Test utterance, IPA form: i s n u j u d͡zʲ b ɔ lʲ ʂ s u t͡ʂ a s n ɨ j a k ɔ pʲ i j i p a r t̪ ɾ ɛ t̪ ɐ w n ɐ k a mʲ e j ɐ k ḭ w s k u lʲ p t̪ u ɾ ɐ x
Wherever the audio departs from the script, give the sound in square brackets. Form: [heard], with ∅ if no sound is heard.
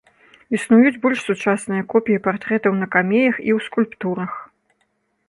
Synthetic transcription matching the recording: i s n u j u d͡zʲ b ɔ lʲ ʂ s u t͡ʂ a s n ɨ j [ɐ] k ɔ pʲ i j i p a r t̪ ɾ ɛ t̪ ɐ w n ɐ k a mʲ e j ɐ [x] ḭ w s k u lʲ p t̪ u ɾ ɐ x